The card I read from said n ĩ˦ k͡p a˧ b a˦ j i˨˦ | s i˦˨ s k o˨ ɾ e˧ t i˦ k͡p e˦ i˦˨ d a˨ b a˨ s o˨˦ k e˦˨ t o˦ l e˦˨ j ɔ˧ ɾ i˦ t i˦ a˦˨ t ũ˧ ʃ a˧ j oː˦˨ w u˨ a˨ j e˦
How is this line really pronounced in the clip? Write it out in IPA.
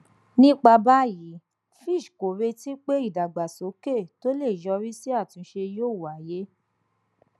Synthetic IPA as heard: n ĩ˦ k͡p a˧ b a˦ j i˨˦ | f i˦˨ ʃ k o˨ ɾ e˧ t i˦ k͡p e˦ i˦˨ d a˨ ɡ͡b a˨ s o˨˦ k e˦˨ t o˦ l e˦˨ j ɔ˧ ɾ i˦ s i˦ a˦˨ t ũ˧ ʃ e˧ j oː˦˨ w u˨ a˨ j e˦